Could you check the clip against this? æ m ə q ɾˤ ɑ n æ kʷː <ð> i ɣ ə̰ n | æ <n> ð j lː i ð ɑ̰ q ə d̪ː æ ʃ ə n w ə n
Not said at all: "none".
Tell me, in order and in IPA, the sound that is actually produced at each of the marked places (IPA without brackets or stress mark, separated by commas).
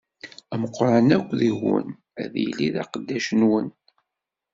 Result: ð, none